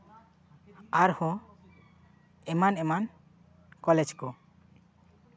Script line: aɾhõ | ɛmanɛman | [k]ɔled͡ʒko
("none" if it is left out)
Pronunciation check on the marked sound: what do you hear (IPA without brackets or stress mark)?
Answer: k